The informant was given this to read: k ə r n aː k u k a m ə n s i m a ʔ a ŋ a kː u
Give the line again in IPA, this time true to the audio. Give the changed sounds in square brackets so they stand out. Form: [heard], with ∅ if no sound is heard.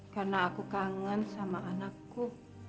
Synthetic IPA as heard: k [a] r n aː k u k a [ŋ] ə n s [a] m a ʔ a [n] a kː u